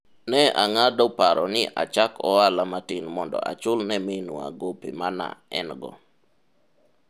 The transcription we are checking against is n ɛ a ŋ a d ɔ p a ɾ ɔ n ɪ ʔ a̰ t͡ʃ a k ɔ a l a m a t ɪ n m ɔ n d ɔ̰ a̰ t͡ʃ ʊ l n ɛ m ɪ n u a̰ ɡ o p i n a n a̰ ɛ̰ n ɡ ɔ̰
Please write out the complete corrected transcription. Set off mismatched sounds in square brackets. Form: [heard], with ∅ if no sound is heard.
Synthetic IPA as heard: n ɛ a ŋ a d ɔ p a ɾ ɔ n ɪ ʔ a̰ t͡ʃ a k ɔ a l a m a t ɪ n m ɔ n d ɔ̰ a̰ t͡ʃ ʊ l n ɛ m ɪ n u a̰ ɡ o p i [m] a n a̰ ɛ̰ n ɡ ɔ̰

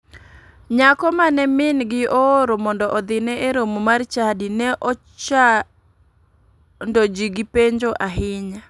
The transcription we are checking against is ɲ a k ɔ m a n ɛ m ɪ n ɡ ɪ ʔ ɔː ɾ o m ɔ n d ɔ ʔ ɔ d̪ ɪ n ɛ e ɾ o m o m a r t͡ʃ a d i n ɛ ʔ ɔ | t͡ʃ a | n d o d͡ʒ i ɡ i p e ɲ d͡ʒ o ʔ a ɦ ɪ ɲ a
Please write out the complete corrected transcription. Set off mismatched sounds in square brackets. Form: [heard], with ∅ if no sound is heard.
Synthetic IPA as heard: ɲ a k ɔ m a n ɛ m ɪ n ɡ ɪ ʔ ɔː ɾ o m ɔ n d ɔ ʔ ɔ d̪ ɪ n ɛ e ɾ o m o m a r t͡ʃ a d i n ɛ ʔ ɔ | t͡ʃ a | n d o d͡ʒ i ɡ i p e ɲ d͡ʒ o ʔ a ɦ ɪ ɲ a

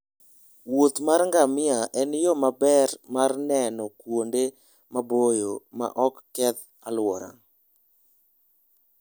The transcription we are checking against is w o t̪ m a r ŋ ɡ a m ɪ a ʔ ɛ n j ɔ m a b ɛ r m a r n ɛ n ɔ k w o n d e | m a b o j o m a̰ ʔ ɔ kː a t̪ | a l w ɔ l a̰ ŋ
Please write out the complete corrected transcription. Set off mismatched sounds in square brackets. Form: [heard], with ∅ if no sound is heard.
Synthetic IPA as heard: w o t̪ m a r ŋ ɡ a m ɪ a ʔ ɛ n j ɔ m a b ɛ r m a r n ɛ n ɔ k w o n d e | m a b o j o m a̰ ʔ ɔ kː [ɛ] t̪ | a l w ɔ [ɾ] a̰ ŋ

